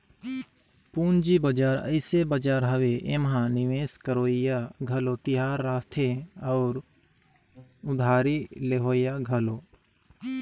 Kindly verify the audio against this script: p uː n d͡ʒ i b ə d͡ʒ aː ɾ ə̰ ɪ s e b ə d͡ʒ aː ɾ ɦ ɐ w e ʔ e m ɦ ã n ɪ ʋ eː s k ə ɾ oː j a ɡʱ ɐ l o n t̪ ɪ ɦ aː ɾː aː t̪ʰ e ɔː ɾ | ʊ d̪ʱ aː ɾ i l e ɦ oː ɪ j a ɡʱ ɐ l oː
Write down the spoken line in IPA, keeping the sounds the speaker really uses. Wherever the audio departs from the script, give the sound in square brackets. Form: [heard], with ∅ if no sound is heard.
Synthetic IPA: p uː n d͡ʒ i b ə d͡ʒ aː ɾ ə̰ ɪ s e b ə d͡ʒ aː ɾ ɦ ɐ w e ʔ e m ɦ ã n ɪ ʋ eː s k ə ɾ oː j a ɡʱ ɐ l o [∅] t̪ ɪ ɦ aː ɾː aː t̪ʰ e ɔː ɾ | ʊ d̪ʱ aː ɾ i l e ɦ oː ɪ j a ɡʱ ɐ l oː